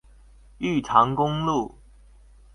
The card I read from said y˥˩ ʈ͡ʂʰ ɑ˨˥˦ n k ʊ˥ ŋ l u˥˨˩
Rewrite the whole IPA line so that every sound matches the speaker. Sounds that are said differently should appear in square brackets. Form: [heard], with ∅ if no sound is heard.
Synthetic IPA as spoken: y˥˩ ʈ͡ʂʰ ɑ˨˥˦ [ŋ] k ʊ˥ ŋ l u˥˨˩